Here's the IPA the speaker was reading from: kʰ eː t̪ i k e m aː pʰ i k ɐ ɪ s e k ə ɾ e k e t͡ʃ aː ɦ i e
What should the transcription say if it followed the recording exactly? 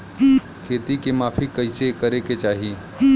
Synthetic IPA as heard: kʰ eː t̪ i k e m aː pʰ i k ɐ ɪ s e k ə ɾ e k e t͡ʃ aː ɦ i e